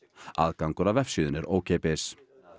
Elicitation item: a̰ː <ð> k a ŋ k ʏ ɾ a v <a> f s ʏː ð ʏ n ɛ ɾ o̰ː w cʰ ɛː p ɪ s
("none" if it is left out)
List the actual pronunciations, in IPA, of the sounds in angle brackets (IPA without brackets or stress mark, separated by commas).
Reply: ð, ɛ